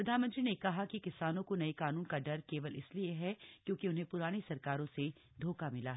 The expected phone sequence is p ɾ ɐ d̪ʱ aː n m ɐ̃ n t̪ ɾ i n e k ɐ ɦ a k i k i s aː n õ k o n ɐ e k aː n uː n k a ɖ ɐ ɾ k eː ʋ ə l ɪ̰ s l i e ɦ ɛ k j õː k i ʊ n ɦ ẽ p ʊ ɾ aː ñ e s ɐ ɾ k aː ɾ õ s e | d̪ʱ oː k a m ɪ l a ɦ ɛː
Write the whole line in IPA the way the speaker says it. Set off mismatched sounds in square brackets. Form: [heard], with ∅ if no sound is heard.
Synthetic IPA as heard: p ɾ ɐ d̪ʱ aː n m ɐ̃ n t̪ ɾ i n e k ɐ ɦ a k i k [ɪ] s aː n õ k o n ɐ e k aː n uː n k a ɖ ɐ ɾ k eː ʋ ə l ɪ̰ s l i e ɦ ɛ k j õː k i ʊ n ɦ ẽ p ʊ ɾ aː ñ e s ɐ ɾ k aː ɾ õ s e | d̪ʱ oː k a m ɪ l a ɦ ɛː